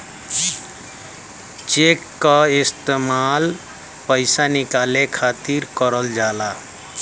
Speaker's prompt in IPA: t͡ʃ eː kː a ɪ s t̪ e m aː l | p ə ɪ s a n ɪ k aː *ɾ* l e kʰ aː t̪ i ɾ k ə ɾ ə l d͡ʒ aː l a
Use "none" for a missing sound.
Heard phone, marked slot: none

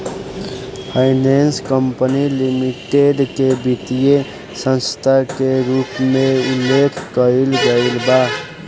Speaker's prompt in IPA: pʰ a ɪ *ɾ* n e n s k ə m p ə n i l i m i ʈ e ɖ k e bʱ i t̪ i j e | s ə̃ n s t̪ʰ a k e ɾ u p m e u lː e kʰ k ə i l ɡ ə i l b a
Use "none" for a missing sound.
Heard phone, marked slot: none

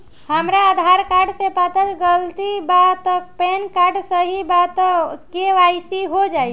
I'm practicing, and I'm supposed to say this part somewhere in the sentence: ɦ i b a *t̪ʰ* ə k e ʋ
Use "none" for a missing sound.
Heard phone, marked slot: t̪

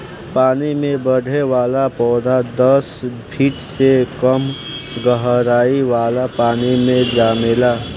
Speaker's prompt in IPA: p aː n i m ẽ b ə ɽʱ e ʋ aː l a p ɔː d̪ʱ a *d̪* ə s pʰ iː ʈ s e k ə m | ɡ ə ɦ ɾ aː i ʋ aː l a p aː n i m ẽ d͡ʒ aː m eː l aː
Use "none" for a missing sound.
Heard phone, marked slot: d̪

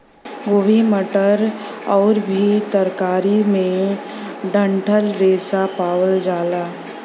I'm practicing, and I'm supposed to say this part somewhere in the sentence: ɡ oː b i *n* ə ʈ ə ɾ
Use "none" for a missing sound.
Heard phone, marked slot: m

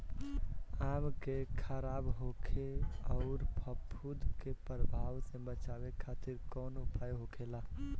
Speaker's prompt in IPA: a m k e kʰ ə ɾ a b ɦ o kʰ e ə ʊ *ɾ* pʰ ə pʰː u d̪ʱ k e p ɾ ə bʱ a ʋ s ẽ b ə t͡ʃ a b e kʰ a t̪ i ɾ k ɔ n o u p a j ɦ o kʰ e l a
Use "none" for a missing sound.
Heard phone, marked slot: ɾ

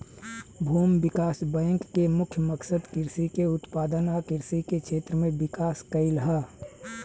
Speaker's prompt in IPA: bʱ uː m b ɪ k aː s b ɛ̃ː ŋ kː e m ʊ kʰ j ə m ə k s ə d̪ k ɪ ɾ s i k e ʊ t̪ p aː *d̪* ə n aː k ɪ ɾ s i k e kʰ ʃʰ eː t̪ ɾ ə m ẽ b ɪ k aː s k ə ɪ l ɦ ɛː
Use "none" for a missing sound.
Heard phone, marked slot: d̪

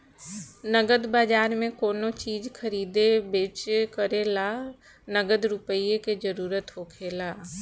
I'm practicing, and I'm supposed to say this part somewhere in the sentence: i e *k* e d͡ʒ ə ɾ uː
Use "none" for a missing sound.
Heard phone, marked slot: k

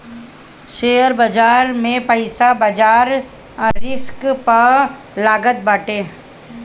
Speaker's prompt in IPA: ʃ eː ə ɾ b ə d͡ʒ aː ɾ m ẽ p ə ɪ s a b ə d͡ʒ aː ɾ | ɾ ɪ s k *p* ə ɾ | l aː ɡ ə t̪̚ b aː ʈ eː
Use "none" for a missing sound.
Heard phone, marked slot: p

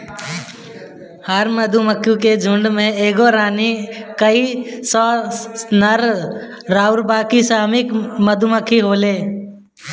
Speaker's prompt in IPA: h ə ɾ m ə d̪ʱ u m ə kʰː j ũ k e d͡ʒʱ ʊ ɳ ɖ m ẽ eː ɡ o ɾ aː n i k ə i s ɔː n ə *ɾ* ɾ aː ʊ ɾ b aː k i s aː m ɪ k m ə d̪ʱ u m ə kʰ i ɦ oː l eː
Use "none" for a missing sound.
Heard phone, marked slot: ɾ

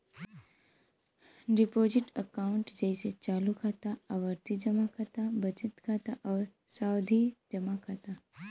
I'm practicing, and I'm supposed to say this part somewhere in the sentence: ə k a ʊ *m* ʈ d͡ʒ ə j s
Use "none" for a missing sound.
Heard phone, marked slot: ɳ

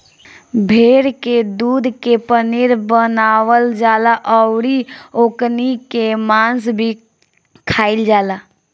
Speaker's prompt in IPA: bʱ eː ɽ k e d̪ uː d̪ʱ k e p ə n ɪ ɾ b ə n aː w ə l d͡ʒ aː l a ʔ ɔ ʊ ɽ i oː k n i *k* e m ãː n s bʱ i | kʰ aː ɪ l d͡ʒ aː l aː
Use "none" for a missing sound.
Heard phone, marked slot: k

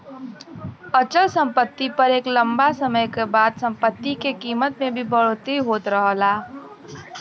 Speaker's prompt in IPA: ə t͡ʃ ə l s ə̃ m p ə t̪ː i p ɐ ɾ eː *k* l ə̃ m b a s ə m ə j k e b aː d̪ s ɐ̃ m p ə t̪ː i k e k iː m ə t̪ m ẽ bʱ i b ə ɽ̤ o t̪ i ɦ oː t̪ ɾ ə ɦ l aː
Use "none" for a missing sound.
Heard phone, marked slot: k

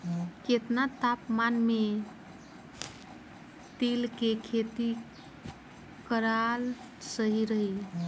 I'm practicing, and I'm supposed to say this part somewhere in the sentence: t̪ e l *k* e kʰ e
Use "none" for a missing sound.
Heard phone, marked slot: k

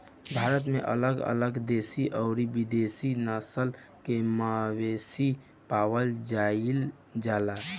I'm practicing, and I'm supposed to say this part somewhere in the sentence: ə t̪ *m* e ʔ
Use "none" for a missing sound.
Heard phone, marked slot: m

